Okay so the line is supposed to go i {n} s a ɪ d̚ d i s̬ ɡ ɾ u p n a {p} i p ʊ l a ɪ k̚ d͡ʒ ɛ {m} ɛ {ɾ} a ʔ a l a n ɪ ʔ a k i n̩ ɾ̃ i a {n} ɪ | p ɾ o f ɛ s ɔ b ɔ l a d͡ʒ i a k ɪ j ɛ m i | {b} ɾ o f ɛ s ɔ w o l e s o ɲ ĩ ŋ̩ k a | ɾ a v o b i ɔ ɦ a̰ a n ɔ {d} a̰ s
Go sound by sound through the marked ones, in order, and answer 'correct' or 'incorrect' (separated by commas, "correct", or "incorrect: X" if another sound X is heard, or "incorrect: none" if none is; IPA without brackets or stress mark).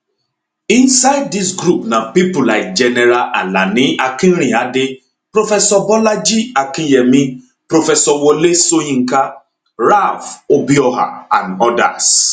correct, correct, incorrect: n, correct, incorrect: d, incorrect: p, correct